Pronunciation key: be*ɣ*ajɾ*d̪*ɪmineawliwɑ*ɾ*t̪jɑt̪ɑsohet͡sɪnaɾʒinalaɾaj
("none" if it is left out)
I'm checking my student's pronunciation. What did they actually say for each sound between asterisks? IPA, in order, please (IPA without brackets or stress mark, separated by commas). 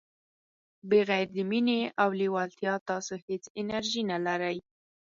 ɣ, d̪, l